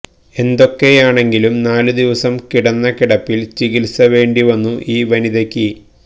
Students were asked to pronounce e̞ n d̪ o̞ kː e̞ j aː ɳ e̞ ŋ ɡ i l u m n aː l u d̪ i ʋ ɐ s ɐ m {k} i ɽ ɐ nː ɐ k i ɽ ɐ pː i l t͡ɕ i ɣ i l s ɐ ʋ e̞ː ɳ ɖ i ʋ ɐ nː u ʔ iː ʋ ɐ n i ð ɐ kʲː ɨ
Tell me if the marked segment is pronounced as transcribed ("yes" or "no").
yes